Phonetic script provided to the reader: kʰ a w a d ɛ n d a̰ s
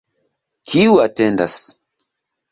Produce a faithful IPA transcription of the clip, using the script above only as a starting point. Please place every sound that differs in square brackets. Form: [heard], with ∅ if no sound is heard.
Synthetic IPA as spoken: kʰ [i] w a [t] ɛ n d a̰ s